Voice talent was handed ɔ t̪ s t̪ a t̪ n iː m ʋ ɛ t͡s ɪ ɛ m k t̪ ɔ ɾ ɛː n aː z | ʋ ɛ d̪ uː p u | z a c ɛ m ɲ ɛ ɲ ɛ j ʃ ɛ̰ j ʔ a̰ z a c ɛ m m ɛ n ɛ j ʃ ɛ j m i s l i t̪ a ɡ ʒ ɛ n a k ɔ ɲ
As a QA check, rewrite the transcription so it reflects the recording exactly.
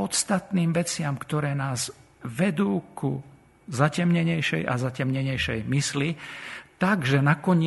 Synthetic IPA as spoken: ɔ t̪ s t̪ a t̪ n iː m ʋ ɛ t͡s ɪ a m k t̪ ɔ ɾ ɛː n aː z | ʋ ɛ d̪ uː k u | z a c ɛ m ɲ ɛ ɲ ɛ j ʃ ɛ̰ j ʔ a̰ z a c ɛ m ɲ ɛ ɲ ɛ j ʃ ɛ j m i s l i t̪ a ɡ ʒ ɛ n a k ɔ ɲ